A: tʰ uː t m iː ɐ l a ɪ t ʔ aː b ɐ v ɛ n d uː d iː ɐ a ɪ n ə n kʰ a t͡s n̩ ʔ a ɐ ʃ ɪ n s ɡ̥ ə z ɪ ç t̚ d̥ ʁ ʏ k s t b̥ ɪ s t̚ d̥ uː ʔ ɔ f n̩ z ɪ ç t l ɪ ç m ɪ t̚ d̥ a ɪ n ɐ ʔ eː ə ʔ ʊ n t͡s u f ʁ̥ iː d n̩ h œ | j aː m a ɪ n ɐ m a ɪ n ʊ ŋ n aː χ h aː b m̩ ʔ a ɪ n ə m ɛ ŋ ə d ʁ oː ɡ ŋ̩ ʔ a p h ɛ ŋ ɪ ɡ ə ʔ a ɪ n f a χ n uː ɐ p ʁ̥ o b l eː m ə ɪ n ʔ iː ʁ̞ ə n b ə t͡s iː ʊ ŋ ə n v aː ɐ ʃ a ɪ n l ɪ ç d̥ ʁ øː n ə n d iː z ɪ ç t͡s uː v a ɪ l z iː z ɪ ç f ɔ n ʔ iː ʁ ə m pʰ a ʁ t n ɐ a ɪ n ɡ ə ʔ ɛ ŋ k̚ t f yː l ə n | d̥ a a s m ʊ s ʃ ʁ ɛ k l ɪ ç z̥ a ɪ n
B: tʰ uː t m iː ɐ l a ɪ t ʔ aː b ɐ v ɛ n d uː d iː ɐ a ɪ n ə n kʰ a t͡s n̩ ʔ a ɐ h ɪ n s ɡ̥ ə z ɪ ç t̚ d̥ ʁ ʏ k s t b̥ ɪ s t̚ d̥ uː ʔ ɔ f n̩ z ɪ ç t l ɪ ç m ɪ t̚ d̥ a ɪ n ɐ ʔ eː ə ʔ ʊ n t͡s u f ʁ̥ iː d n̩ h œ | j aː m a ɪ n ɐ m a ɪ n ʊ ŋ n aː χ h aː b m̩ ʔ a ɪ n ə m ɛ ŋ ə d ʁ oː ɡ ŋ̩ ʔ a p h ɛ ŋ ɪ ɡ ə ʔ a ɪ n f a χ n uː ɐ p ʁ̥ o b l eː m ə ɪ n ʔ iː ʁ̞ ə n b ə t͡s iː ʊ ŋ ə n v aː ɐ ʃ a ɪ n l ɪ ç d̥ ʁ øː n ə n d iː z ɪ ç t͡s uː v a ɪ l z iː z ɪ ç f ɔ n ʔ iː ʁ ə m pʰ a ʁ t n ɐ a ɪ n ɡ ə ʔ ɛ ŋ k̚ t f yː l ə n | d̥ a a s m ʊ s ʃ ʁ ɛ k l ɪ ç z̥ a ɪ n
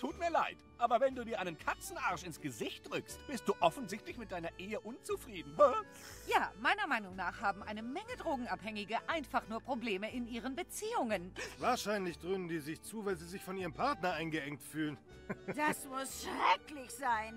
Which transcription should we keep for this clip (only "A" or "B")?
A